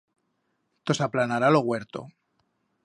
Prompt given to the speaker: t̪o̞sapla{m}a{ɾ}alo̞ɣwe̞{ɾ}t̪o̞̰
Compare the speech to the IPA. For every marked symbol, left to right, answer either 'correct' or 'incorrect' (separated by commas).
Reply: incorrect, correct, correct